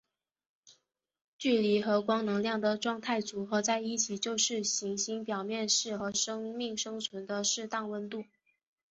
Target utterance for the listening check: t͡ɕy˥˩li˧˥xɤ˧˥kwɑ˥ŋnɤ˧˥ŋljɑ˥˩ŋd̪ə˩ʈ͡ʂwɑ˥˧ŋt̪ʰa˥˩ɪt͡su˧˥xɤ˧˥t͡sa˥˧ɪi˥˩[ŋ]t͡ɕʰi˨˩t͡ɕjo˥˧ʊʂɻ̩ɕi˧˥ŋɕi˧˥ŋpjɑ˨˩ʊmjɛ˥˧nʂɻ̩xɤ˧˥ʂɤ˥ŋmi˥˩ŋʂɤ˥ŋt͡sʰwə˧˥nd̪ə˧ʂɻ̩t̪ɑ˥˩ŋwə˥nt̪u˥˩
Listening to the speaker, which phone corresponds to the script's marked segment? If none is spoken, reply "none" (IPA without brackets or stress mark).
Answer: none